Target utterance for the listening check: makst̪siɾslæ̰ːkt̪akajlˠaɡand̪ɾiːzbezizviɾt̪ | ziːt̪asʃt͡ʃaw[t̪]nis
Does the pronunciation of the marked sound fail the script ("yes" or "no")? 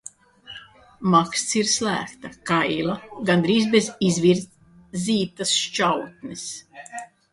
no